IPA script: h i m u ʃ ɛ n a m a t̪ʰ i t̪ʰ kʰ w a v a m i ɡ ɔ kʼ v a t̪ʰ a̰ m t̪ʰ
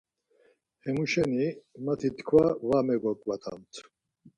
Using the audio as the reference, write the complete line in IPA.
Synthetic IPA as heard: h ɛ m u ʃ ɛ n i m a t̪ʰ i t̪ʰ kʰ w a v a m ɛ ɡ ɔ kʼ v a t̪ʰ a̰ m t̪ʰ